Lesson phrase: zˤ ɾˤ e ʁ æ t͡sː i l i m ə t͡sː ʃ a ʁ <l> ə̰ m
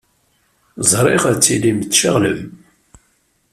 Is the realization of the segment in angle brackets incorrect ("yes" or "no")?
no